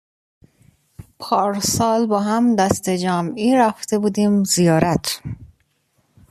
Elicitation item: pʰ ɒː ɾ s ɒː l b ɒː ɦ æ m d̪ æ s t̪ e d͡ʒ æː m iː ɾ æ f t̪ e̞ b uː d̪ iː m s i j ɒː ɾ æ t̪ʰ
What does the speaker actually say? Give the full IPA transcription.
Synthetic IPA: pʰ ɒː ɾ s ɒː l b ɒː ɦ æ m d̪ æ s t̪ e d͡ʒ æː m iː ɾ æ f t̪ e̞ b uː d̪ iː m z i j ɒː ɾ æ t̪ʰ